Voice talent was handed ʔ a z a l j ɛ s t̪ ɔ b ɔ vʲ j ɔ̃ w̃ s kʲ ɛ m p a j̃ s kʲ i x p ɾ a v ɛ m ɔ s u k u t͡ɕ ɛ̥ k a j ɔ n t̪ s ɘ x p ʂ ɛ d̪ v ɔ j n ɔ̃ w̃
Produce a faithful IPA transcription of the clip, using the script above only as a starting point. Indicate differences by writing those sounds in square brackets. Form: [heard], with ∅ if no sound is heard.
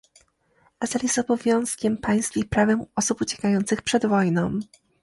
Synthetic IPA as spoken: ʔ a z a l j ɛ s t̪ ɔ b ɔ vʲ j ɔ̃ w̃ s kʲ ɛ m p a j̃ s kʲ i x p ɾ a v ɛ m ɔ s u [p] u t͡ɕ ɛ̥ k a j ɔ n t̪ s ɘ x p ʂ ɛ d̪ v ɔ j n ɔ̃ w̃